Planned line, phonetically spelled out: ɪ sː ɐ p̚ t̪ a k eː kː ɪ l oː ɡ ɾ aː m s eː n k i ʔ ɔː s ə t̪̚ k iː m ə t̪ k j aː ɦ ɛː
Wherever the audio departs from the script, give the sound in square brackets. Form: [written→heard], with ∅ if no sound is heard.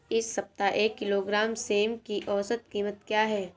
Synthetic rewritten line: ɪ sː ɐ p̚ t̪ a [k→ʔ] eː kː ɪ l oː ɡ ɾ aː m s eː [n→m] k i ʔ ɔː s ə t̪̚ k iː m ə t̪ k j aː ɦ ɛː

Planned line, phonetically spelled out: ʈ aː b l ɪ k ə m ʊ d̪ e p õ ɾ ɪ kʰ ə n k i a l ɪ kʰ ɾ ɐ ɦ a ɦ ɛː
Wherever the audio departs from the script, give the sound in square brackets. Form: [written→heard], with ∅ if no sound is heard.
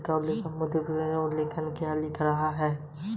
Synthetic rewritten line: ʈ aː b l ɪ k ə m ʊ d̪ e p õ [ɾ→l] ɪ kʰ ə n k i a l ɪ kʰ ɾ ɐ ɦ a ɦ ɛː

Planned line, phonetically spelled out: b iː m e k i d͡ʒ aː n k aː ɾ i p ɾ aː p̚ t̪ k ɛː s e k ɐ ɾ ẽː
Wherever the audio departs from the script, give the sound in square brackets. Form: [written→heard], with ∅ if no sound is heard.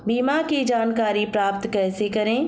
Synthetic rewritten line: b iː m [e→a] k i d͡ʒ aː n k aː ɾ i p ɾ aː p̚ t̪ k ɛː s e k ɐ ɾ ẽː

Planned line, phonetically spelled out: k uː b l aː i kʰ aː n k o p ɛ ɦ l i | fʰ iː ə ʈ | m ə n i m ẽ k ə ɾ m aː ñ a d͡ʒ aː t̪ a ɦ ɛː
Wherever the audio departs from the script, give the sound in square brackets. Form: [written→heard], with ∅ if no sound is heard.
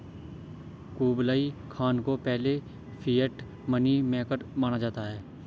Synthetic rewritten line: k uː b l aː i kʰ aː n k o p ɛ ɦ l [i→e] | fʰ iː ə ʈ | m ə n i m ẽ k ə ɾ m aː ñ a d͡ʒ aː t̪ a ɦ ɛː

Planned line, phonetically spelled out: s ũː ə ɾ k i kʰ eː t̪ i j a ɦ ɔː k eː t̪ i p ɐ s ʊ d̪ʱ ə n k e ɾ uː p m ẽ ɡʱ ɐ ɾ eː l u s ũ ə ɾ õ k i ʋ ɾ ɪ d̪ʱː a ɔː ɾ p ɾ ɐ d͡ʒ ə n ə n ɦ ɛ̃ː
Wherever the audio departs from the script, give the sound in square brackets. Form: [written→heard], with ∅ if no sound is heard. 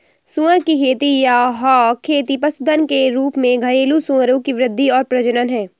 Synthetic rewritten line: s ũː ə ɾ k i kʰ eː t̪ i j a ɦ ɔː [k→kʰ] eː t̪ i p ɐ s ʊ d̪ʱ ə n k e ɾ uː p m ẽ ɡʱ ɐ ɾ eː l u s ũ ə ɾ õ k i ʋ ɾ ɪ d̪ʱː [a→i] ɔː ɾ p ɾ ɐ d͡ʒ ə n ə n ɦ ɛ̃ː

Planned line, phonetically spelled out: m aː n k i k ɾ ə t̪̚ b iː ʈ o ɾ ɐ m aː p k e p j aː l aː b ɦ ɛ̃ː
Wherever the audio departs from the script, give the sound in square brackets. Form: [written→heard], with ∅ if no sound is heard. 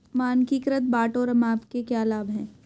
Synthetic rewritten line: m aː n k i k ɾ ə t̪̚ b [iː→aː] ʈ o ɾ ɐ m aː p k e [p→k] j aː l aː b ɦ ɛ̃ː

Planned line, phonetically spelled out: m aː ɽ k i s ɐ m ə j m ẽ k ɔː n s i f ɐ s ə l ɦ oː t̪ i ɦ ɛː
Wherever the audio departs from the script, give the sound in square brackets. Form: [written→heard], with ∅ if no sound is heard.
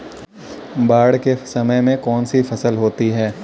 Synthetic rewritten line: [m→b] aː ɽ k [i→e] s ɐ m ə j m ẽ k ɔː n s i f ɐ s ə l ɦ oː t̪ i ɦ ɛː

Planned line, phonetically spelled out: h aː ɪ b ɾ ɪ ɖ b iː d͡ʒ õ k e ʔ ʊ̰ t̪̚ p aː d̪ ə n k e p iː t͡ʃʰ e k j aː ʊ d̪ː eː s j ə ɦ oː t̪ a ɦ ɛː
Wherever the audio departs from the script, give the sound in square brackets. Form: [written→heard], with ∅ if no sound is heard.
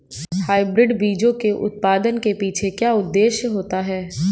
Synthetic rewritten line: h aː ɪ b ɾ ɪ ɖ b iː d͡ʒ õ k e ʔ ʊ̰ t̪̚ p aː d̪ ə n k e p iː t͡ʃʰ e k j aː ʊ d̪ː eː [s→ʃ] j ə ɦ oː t̪ a ɦ ɛː

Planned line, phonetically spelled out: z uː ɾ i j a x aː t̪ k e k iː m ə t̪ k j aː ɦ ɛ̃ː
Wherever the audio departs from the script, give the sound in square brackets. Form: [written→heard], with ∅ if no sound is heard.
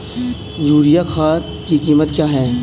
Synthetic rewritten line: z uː ɾ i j a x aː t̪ k [e→i] k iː m ə t̪ k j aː ɦ [ɛ̃ː→ɛː]

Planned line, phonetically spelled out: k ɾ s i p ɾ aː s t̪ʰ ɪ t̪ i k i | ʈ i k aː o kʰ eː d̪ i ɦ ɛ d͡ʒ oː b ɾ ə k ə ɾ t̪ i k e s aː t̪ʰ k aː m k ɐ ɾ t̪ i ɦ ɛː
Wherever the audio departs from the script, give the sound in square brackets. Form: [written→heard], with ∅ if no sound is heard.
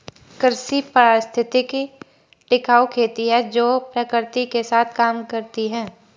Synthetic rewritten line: k ɾ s i p ɾ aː s t̪ʰ ɪ t̪ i k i | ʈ [i→ɪ] k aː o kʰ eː [d̪→t̪] i ɦ ɛ d͡ʒ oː [b→p] ɾ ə k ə ɾ t̪ i k e s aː t̪ʰ k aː m k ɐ ɾ t̪ i ɦ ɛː

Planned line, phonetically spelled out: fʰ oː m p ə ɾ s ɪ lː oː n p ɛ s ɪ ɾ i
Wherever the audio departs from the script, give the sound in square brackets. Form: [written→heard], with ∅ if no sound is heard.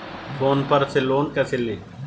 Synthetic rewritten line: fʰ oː [m→n] p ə ɾ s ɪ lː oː n [p→k] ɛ s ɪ [ɾ→l] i

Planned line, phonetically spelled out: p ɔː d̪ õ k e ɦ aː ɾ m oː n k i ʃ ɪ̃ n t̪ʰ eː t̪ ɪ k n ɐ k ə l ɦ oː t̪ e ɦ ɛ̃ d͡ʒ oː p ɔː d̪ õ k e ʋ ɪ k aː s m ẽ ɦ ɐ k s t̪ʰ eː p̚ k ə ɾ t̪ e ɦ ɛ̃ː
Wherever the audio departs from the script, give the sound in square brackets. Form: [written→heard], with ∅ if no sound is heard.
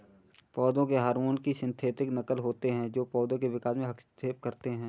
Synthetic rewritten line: p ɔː d̪ õ k e ɦ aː ɾ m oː n k i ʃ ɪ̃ n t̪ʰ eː t̪ ɪ k n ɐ k ə l ɦ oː t̪ e ɦ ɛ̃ d͡ʒ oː p ɔː d̪ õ k e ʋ ɪ k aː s m ẽ ɦ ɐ k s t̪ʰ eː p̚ k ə ɾ t̪ e ɦ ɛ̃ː

